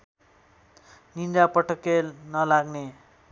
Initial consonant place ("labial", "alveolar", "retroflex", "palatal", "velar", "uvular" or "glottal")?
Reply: alveolar